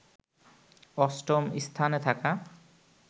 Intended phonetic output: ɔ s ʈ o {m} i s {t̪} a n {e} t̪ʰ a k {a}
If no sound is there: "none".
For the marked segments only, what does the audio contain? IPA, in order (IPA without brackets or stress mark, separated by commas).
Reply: m, t̪ʰ, e, a